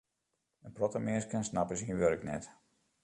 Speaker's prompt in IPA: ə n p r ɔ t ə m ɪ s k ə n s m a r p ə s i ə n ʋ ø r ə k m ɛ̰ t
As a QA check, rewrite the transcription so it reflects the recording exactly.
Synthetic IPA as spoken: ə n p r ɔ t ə m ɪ s k ə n s n a p ə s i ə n ʋ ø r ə k n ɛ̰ t